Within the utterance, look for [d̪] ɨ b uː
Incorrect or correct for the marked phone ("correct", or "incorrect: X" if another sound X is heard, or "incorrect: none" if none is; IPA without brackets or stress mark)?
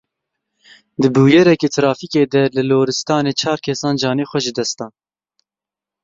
correct